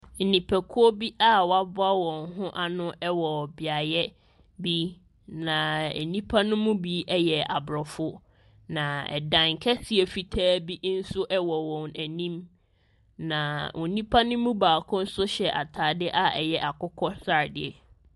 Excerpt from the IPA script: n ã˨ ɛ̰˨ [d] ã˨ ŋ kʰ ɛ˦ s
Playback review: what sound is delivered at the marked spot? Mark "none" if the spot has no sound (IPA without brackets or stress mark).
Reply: d